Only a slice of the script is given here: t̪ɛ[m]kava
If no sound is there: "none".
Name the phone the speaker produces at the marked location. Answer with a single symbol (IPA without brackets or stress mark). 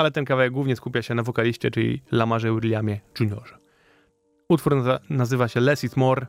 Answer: n